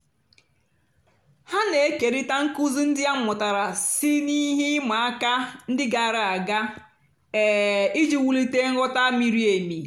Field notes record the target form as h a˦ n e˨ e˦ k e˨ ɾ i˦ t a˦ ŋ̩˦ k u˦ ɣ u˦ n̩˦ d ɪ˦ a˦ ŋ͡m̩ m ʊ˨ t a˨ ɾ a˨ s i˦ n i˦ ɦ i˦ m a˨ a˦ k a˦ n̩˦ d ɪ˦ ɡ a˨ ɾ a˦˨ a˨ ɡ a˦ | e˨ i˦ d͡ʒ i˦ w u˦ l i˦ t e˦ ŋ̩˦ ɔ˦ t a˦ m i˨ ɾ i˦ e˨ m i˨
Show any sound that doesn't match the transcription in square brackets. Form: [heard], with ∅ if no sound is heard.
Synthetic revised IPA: h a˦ n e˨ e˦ k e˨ ɾ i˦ t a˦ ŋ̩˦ k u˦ [z] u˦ n̩˦ d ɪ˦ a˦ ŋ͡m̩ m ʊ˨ t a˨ ɾ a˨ s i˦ n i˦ ɦ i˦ m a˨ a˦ k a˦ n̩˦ d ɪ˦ ɡ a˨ ɾ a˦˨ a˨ ɡ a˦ | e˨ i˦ d͡ʒ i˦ w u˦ l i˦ t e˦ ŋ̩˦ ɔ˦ t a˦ m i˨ ɾ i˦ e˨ m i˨

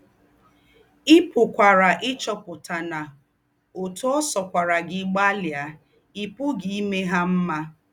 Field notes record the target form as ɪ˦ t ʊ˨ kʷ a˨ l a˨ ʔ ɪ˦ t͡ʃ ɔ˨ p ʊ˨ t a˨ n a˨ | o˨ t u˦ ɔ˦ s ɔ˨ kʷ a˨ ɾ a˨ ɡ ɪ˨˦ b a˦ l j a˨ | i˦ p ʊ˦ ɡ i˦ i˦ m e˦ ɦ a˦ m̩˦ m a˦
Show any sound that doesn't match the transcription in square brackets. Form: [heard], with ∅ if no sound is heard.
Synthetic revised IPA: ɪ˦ [p] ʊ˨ kʷ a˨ [ɾ] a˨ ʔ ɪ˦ t͡ʃ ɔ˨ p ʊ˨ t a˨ n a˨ | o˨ t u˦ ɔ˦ s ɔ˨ kʷ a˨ ɾ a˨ ɡ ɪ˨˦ [ɡ͡b] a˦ l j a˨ | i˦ p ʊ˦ ɡ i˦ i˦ m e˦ ɦ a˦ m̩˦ m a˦

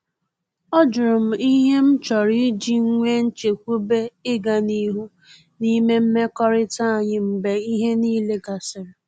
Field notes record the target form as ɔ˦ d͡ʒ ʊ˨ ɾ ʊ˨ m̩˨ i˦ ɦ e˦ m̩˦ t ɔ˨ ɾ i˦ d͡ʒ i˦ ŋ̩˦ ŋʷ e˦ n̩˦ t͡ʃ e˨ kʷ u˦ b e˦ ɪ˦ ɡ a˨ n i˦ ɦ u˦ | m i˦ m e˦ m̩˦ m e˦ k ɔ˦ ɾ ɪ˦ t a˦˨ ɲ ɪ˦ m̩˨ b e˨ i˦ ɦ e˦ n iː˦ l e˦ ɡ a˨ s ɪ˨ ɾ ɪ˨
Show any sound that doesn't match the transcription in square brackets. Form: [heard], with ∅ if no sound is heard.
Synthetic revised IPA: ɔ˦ d͡ʒ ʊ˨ ɾ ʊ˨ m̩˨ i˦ ɦ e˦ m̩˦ [t͡ʃ] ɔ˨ ɾ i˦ d͡ʒ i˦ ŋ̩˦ ŋʷ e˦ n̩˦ t͡ʃ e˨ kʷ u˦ b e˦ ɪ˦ ɡ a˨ n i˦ ɦ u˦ | [n] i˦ m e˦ m̩˦ m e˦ k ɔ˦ ɾ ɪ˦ t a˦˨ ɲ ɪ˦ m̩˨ b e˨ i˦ ɦ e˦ n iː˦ l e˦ ɡ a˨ s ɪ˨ ɾ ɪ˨

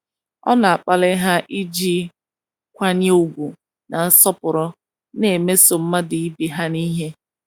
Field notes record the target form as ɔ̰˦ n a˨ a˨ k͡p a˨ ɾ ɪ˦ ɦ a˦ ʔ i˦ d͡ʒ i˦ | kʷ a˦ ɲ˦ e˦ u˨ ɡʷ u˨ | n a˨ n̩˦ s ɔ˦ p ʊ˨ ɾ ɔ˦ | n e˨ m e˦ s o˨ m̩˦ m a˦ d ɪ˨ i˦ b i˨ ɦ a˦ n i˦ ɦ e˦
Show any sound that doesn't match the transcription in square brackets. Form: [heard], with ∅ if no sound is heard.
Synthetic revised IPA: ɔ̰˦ n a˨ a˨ k͡p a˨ [l] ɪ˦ ɦ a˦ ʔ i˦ d͡ʒ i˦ | kʷ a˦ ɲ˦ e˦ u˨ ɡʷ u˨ | n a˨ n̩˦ s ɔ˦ p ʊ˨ ɾ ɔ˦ | n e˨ m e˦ s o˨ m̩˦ m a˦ d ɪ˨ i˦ b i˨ ɦ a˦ n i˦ ɦ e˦

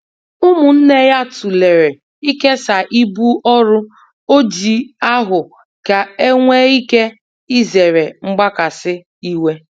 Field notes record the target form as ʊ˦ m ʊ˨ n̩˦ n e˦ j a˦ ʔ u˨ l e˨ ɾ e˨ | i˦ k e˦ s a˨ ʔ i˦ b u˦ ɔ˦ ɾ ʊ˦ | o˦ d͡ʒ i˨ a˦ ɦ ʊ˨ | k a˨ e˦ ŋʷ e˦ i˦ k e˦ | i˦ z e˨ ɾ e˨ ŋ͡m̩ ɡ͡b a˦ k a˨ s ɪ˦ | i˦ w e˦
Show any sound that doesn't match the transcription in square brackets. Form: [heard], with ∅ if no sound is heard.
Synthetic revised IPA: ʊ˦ m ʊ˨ n̩˦ n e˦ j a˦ [t] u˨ l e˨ ɾ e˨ | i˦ k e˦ s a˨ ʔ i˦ b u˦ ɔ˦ ɾ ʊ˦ | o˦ d͡ʒ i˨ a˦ ɦ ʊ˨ | k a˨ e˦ ŋʷ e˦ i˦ k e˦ | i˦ z e˨ ɾ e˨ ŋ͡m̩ ɡ͡b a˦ k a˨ s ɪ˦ | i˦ w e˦

